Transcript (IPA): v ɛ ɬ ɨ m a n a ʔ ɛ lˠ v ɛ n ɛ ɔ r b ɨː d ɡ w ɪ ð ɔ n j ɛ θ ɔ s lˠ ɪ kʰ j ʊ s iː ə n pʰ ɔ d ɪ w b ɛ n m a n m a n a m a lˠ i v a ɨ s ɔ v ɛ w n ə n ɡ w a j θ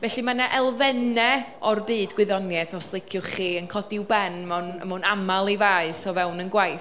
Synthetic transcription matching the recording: v ɛ ɬ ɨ m a n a ʔ ɛ lˠ v ɛ n ɛ ɔ r b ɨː d ɡ w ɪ ð ɔ n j ɛ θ ɔ s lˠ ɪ kʰ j ʊ χ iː ə n kʰ ɔ d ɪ w b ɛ n m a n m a n a m a lˠ i v a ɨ s ɔ v ɛ w n ə n ɡ w a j θ